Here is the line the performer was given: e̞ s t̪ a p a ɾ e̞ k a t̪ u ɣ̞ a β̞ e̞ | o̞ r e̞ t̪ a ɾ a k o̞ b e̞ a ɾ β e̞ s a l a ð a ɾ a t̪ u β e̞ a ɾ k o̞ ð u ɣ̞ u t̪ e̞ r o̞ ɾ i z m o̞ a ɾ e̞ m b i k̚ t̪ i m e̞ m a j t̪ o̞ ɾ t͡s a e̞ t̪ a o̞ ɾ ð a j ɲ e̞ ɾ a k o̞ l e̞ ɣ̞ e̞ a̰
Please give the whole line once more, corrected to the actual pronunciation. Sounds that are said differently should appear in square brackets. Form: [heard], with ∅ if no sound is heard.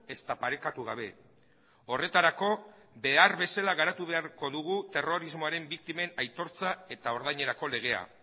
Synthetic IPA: e̞ s t̪ a p a ɾ e̞ k a t̪ u ɣ̞ a β̞ e̞ | o̞ r e̞ t̪ a ɾ a k o̞ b e̞ a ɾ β e̞ s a l a [ɣ] a ɾ a t̪ u β e̞ a ɾ k o̞ ð u ɣ̞ u t̪ e̞ r o̞ ɾ i z m o̞ a ɾ e̞ m b i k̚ t̪ i m e̞ [n] a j t̪ o̞ ɾ t͡s a e̞ t̪ a o̞ ɾ ð a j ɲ e̞ ɾ a k o̞ l e̞ ɣ̞ e̞ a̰